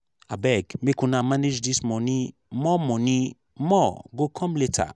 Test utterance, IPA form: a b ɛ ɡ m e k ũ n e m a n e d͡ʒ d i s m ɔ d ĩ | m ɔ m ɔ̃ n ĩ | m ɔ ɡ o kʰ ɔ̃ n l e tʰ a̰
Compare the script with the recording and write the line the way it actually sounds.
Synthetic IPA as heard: a b ɛ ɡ m e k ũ n a m a n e d͡ʒ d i s m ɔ n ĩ | m ɔ m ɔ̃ n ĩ | m ɔ ɡ o kʰ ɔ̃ m l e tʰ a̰